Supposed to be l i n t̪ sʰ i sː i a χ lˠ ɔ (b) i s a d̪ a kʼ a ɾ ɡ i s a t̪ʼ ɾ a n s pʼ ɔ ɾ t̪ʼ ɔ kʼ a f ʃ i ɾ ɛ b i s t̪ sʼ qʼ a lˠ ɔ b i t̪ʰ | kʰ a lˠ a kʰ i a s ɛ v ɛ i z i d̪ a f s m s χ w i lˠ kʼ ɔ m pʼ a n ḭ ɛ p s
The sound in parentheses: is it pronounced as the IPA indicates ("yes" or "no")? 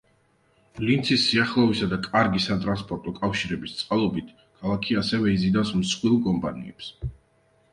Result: no